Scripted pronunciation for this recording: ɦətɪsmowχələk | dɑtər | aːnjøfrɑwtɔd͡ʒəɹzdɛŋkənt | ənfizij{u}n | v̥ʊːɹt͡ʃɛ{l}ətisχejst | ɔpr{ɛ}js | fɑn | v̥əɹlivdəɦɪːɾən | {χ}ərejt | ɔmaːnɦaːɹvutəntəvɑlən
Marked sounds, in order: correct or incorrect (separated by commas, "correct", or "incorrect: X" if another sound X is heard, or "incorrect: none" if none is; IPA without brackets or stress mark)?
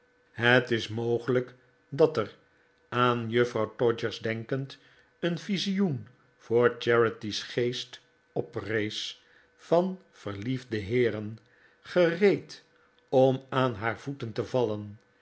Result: correct, incorrect: ɹ, incorrect: e, correct